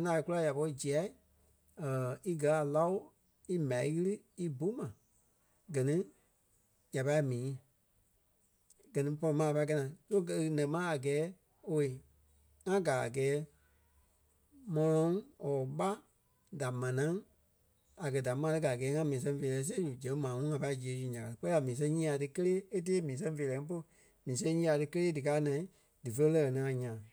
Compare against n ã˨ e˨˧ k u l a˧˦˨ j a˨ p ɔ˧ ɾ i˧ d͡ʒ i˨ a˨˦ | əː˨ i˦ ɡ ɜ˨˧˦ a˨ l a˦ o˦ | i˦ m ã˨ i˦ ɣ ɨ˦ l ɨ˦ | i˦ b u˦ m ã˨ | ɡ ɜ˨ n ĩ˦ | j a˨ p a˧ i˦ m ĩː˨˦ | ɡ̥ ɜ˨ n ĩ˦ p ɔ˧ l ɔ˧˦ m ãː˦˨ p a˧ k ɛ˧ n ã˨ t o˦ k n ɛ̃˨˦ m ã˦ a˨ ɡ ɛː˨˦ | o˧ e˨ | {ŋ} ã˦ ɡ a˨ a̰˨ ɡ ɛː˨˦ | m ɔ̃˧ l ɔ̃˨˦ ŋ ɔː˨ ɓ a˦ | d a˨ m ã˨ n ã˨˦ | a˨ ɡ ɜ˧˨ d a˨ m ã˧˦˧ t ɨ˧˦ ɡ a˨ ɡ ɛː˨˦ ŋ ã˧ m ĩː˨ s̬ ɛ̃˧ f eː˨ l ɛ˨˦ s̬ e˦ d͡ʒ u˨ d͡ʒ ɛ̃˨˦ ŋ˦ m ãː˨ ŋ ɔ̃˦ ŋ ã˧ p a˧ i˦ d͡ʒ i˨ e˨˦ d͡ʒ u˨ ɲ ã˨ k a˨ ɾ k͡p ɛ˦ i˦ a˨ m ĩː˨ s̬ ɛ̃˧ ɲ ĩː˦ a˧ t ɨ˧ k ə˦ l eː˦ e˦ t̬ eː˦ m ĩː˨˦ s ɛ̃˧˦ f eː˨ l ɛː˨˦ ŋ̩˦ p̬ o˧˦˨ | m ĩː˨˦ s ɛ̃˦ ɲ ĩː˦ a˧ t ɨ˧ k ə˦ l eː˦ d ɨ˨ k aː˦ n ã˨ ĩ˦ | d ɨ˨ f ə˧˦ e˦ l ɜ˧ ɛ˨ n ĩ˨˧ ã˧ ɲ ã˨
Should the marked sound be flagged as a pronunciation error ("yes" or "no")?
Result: no